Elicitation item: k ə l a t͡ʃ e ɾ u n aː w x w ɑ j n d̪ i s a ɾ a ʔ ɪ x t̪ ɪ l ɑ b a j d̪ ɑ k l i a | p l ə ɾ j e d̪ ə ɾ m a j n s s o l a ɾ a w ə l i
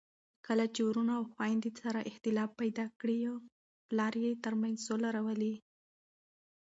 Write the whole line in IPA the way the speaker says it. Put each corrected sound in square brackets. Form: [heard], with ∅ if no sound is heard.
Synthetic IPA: k ə l a t͡ʃ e ɾ u n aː w x w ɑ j n d̪ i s a ɾ a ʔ ɪ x t̪ ɪ l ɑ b a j d̪ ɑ k [ɽ] i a | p l [ɑ] ɾ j e [t̪] ə ɾ m a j n [z] s o l a ɾ a w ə l i

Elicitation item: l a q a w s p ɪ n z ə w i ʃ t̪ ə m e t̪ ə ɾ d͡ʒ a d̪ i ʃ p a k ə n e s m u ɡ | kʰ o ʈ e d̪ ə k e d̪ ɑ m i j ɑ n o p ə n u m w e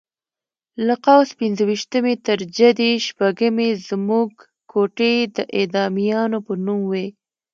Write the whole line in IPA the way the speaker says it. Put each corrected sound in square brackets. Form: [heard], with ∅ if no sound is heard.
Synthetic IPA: l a q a w s p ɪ n z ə w i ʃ t̪ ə m e t̪ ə ɾ d͡ʒ a d̪ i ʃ p a [ɡ] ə [m] e [z] m u ɡ | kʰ o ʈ e d̪ ə [ʔ] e d̪ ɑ m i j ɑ n o p ə n u m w e

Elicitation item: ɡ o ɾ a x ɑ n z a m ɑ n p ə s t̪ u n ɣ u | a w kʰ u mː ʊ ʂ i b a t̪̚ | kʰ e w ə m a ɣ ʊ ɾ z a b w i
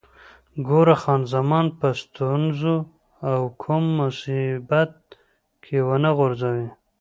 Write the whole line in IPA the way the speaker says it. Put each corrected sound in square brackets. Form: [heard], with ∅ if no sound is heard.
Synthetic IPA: ɡ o ɾ a x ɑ n z a m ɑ n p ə s t̪ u n [z] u | a w kʰ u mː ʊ [s] i b a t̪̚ | kʰ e w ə [n] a ɣ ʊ ɾ z a [∅] w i

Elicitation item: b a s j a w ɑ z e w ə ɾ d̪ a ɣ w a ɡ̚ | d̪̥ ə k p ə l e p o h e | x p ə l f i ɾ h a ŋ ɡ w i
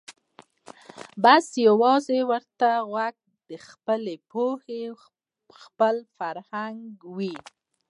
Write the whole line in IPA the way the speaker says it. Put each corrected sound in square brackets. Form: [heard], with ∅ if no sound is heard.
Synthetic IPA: b a s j a w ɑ z e w ə ɾ [t̪] a ɣ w a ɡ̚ | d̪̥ ə [x] p ə l e p o h e | x p ə l f [a] ɾ h a ŋ ɡ w i

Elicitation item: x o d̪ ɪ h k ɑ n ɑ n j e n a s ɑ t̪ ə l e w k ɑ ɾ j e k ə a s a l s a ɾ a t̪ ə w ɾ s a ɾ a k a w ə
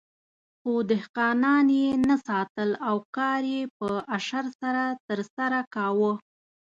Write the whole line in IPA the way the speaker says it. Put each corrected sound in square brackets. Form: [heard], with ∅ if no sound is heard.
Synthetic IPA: x o d̪ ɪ h [q] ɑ n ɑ n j e n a s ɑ t̪ ə l [a] w k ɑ ɾ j e [p] ə a [ʃ] a [ɾ] s a ɾ a t̪ ə [∅] ɾ s a ɾ a k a w ə

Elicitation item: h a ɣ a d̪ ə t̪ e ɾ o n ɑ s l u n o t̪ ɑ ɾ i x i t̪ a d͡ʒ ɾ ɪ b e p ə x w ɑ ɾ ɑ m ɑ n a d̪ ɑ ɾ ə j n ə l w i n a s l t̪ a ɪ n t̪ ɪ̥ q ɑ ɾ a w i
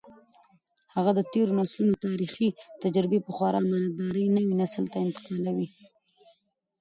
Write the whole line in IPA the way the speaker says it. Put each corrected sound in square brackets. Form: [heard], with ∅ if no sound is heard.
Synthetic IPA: h a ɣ a d̪ ə t̪ e ɾ o n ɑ s l u n o t̪ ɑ ɾ i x i t̪ a d͡ʒ ɾ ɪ b e p ə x w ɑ ɾ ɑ m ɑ n a d̪ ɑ ɾ ə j n ə [∅] w i n a s l t̪ a ɪ n t̪ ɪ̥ q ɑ [l] a w i

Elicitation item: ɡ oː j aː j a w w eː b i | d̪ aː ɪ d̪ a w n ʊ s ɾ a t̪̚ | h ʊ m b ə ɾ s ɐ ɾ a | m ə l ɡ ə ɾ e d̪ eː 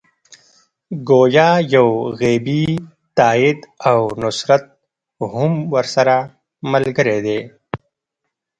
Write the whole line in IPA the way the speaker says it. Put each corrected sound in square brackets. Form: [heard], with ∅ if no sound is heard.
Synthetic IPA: ɡ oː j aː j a w [ɣ] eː b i | [t̪] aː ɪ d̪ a w n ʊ s ɾ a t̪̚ | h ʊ m [w] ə ɾ s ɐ ɾ a | m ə l ɡ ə ɾ e d̪ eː

